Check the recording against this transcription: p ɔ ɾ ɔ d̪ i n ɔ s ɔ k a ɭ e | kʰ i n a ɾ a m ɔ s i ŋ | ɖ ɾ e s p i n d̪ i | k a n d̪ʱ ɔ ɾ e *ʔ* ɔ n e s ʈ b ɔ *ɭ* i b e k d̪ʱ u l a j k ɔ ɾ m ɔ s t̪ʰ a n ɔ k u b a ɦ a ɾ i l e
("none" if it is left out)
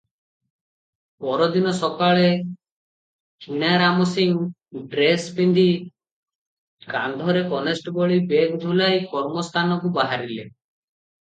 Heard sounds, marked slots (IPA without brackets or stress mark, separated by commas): k, ɭ